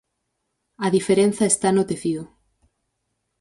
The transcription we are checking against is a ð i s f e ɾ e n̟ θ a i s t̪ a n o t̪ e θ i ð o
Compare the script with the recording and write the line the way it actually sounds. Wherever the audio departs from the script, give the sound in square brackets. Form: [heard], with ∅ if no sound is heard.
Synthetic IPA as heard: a ð i [∅] f e ɾ e n̟ θ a [e] s t̪ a n o t̪ e θ i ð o